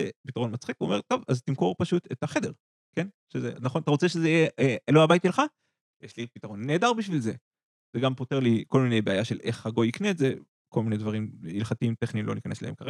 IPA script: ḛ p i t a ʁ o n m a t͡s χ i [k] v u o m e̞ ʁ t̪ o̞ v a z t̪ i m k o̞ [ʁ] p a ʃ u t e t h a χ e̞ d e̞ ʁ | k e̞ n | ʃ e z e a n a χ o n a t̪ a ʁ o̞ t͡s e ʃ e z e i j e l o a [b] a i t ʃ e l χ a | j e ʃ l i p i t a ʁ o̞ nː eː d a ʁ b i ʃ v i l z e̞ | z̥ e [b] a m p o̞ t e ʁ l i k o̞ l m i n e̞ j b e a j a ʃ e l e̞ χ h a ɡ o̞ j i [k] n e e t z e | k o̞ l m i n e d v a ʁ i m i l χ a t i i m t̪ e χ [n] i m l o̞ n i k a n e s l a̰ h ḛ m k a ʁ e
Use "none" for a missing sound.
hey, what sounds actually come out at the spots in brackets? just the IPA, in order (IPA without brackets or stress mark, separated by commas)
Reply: k, ʁ, b, ɡ, k, n